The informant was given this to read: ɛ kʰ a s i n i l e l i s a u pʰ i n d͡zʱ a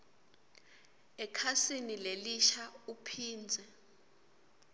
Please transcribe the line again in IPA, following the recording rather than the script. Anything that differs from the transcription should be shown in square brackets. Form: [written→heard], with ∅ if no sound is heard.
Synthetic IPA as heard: ɛ kʰ a s i n i l e l i [s→ʃ] a u pʰ [i→iː] n d͡zʱ [a→ɛ]